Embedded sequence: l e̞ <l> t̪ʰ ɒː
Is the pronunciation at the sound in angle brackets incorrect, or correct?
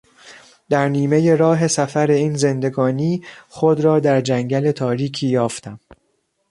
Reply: incorrect